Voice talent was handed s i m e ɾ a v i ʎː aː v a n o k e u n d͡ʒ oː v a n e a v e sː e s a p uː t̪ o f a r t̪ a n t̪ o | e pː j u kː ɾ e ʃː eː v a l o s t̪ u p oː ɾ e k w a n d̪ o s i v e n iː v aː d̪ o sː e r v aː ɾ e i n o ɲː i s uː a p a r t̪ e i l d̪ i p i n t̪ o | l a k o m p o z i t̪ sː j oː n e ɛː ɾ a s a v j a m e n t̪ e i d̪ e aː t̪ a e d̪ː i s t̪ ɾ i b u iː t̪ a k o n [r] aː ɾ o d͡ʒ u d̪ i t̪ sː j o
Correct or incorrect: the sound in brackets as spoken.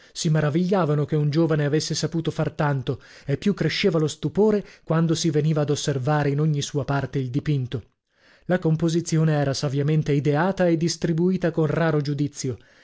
correct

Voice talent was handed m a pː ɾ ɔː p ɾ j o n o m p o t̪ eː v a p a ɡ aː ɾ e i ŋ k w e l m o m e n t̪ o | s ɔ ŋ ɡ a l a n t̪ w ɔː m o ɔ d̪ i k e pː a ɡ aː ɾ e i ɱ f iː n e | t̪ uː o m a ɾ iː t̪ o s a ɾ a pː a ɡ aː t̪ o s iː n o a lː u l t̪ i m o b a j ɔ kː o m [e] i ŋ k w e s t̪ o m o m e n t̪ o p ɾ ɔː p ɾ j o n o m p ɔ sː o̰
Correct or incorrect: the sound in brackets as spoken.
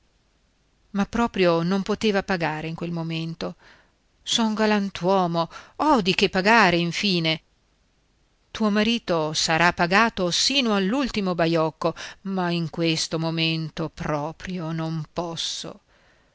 incorrect: a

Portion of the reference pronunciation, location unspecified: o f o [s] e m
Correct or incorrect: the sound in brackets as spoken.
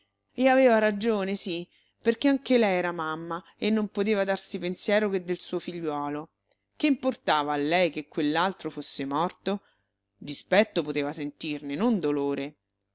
incorrect: sː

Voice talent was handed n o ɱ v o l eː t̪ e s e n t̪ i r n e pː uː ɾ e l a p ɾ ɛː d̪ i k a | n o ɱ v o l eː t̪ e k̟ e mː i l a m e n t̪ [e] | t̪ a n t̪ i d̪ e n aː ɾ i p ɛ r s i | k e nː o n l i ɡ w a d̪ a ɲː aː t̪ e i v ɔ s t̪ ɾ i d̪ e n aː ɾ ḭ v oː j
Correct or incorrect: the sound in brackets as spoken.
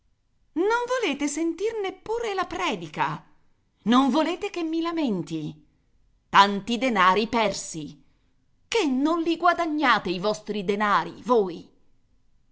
incorrect: i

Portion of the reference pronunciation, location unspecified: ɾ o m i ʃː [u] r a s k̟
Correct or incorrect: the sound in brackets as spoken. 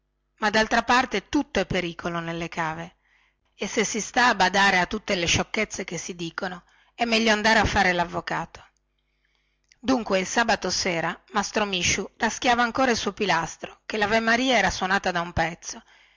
correct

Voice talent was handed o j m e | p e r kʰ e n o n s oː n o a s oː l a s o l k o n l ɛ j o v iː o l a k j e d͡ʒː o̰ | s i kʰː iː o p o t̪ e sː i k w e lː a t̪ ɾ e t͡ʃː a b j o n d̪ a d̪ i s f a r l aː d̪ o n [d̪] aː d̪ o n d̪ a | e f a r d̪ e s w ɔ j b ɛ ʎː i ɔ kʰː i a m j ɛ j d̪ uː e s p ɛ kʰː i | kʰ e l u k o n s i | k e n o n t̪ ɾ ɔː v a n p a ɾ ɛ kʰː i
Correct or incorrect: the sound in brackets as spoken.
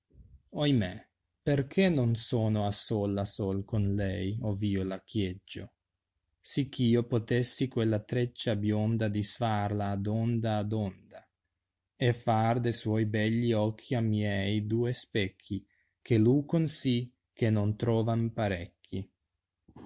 correct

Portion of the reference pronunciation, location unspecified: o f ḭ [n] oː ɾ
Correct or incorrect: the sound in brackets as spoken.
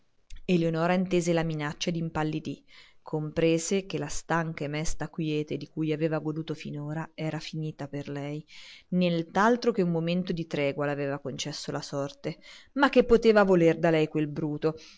correct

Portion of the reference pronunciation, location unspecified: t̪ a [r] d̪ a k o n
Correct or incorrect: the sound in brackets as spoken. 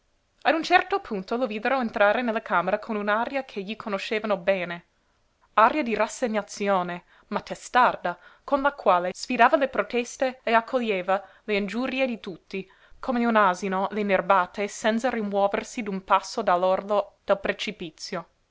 correct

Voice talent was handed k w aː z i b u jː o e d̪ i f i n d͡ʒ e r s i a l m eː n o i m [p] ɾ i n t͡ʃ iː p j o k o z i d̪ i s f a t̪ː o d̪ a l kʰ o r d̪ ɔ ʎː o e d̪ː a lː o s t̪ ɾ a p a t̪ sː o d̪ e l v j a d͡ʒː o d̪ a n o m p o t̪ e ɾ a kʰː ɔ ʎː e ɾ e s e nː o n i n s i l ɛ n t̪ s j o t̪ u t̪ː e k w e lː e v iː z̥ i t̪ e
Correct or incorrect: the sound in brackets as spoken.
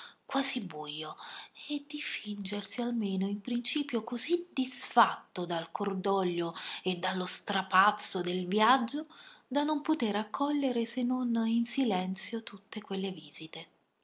correct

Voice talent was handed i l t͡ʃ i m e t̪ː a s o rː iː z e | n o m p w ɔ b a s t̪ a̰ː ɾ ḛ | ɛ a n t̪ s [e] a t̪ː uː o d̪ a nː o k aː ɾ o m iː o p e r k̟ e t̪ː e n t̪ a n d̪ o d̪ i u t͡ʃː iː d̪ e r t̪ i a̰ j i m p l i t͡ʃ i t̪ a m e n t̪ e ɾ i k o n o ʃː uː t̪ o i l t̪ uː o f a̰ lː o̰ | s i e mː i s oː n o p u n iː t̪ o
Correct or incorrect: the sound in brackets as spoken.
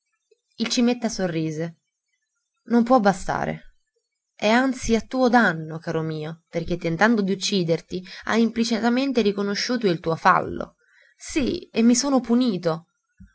incorrect: i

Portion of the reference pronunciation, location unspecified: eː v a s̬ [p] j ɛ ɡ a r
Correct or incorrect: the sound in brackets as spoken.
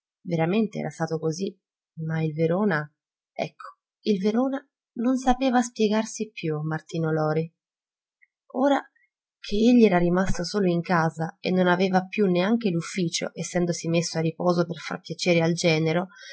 correct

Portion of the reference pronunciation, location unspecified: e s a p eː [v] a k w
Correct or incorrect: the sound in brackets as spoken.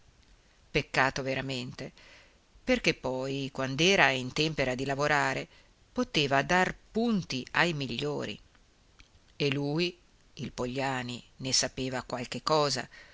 correct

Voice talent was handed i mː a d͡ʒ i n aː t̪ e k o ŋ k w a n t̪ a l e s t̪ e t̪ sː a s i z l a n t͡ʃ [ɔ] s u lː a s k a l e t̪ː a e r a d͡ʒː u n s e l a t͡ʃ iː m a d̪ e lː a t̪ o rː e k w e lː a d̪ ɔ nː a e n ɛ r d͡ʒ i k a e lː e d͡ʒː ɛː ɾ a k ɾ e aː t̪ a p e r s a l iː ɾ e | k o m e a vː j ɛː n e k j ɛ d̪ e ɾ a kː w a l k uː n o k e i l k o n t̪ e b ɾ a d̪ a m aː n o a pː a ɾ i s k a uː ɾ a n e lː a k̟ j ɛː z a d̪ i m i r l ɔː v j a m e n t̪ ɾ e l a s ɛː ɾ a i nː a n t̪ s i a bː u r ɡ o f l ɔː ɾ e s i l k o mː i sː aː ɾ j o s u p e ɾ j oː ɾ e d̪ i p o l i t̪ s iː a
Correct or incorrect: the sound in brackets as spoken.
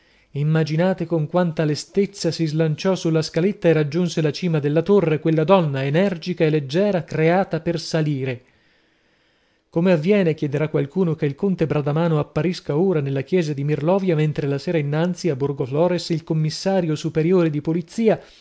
correct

